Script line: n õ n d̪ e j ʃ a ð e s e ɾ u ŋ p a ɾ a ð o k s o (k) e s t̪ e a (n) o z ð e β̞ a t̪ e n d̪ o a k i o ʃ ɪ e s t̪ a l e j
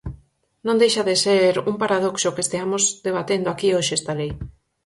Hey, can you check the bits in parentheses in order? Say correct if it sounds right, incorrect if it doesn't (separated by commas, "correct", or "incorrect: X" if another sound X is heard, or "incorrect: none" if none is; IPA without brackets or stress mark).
correct, incorrect: m